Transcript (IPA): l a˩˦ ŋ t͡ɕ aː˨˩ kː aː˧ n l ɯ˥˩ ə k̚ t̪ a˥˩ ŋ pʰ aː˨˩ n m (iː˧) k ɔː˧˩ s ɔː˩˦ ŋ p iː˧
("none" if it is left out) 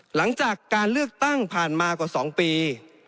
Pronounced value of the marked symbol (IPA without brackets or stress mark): aː˧